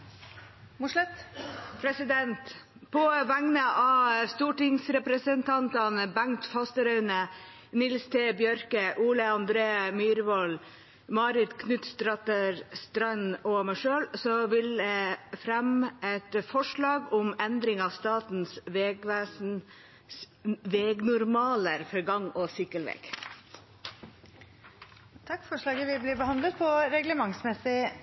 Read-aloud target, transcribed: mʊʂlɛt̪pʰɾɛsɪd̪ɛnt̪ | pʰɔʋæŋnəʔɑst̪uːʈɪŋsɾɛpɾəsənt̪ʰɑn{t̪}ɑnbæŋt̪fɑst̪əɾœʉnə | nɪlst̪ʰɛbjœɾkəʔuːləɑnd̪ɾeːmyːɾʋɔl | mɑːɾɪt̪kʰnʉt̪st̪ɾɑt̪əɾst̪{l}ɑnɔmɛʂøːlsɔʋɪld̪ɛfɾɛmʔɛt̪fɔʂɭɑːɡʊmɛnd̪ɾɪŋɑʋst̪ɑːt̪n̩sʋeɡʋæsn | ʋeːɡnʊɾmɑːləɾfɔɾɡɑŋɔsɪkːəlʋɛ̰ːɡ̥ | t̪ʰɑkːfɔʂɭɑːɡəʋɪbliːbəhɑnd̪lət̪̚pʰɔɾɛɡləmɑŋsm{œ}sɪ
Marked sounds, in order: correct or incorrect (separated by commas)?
correct, incorrect, incorrect